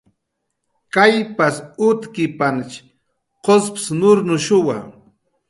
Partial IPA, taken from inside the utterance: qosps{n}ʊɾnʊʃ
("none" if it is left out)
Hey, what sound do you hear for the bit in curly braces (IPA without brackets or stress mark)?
n